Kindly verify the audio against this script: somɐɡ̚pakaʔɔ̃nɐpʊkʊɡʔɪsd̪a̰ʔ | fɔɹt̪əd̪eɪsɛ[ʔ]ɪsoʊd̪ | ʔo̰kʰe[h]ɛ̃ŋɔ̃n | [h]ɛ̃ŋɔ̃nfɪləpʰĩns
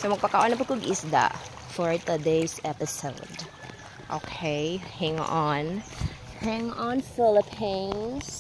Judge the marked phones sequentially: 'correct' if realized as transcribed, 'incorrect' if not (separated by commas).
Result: incorrect, correct, correct